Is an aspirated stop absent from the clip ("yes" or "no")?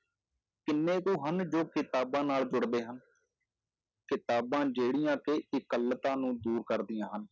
yes